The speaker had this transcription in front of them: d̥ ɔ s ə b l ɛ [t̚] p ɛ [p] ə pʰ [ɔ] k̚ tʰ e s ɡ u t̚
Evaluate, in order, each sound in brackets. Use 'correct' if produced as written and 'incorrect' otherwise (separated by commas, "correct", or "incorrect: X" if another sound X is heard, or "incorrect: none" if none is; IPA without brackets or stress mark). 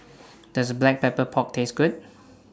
incorrect: k̚, correct, correct